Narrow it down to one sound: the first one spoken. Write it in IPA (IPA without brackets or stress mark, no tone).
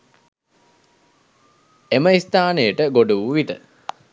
e